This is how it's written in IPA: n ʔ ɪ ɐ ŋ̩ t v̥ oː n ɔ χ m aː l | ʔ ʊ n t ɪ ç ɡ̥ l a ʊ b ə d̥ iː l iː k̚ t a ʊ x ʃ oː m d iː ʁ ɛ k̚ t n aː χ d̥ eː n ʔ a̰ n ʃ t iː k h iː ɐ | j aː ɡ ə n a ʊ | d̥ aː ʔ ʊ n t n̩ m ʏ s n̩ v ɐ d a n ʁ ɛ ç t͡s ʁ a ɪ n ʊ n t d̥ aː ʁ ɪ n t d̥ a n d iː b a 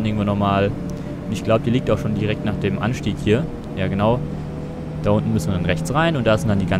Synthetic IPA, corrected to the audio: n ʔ ɪ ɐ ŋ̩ t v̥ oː n ɔ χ m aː l | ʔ ʊ n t ɪ ç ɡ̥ l a ʊ b ə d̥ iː l iː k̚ t a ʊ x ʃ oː n d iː ʁ ɛ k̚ t n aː χ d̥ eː m ʔ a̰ n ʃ t iː k h iː ɐ | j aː ɡ ə n a ʊ | d̥ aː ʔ ʊ n t n̩ m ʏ s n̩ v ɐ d a n ʁ ɛ ç t͡s ʁ a ɪ n ʊ n t d̥ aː z ɪ n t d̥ a n d iː ɡ a